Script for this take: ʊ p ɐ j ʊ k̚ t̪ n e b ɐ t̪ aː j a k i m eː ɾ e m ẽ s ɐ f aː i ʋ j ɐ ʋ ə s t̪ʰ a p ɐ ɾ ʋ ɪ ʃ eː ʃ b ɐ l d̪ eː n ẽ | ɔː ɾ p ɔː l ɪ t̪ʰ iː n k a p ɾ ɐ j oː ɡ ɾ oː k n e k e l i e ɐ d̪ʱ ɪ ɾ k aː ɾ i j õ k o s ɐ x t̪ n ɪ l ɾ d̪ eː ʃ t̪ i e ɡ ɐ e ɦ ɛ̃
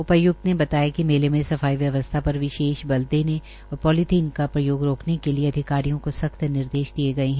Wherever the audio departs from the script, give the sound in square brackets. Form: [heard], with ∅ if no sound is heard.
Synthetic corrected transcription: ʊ p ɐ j ʊ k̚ t̪ n e b ɐ t̪ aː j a k i m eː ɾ e m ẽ s ɐ f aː i ʋ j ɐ ʋ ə s t̪ʰ a p ɐ ɾ ʋ ɪ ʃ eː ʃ b ɐ l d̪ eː n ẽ | ɔː ɾ p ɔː l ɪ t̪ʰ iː n k a p ɾ ɐ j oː ɡ ɾ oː k n e k e l i e ɐ d̪ʱ ɪ [∅] k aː ɾ i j õ k o s ɐ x t̪ n ɪ [∅] ɾ d̪ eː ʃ [d̪] i e ɡ ɐ e ɦ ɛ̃